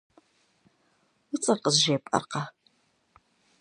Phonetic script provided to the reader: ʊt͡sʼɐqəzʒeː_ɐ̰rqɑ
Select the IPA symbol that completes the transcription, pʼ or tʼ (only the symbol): pʼ